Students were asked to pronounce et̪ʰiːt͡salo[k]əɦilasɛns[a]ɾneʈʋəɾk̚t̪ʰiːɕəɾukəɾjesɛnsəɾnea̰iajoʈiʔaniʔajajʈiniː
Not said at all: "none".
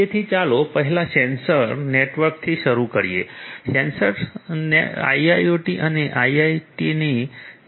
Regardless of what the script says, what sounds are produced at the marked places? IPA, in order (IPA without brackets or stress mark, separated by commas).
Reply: p, ə